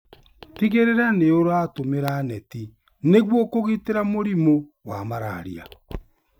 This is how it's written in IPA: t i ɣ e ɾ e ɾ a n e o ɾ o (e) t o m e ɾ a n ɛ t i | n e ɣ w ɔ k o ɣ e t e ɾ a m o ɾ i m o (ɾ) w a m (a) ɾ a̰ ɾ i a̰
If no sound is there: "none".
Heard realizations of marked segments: a, none, a

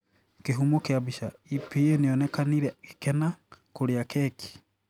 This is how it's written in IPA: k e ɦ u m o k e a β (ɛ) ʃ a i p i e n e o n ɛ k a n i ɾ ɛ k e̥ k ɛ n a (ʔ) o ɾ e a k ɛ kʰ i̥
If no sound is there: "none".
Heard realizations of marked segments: i, k

